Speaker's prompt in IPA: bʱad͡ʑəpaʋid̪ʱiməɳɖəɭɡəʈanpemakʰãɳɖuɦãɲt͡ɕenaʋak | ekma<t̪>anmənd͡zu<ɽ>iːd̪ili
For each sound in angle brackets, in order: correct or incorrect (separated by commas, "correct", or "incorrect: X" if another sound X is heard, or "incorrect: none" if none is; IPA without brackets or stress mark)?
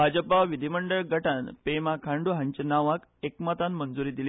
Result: correct, incorrect: ɾ